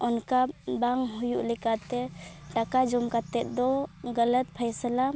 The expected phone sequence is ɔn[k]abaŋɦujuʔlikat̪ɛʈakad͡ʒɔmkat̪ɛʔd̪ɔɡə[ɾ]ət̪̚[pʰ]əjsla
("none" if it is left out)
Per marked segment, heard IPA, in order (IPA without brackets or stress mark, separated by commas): k, l, pʰ